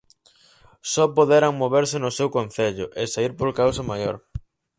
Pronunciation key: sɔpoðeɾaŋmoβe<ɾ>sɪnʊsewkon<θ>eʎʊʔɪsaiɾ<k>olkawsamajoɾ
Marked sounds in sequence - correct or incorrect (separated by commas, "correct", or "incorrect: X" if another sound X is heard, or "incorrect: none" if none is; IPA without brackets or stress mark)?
correct, correct, incorrect: p